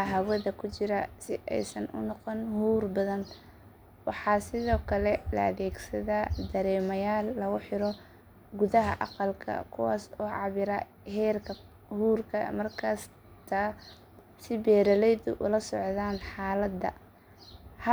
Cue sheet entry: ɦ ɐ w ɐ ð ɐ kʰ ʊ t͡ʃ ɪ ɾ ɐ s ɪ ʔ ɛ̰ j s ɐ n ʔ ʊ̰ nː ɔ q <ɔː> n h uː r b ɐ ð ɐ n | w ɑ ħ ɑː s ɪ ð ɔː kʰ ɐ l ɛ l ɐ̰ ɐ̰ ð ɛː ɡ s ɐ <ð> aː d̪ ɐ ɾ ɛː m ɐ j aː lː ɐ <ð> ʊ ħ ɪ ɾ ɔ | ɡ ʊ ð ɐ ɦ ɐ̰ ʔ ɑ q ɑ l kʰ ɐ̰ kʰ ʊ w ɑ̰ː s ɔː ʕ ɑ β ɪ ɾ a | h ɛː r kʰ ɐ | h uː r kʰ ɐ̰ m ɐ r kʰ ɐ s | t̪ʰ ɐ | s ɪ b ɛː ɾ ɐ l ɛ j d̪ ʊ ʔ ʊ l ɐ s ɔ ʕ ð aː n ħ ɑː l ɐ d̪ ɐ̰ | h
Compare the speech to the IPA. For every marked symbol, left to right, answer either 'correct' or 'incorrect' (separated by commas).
incorrect, correct, incorrect